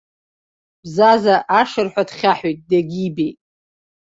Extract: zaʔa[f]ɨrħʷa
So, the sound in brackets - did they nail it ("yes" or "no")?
no